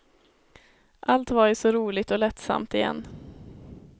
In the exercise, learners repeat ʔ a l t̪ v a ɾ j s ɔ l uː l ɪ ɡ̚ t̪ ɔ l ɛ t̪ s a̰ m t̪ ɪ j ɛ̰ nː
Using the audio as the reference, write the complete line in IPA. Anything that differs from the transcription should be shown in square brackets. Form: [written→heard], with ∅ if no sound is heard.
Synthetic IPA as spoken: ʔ a l t̪ v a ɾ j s ɔ [l→ɾ] uː l ɪ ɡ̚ t̪ ɔ l ɛ t̪ s a̰ m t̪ ɪ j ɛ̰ nː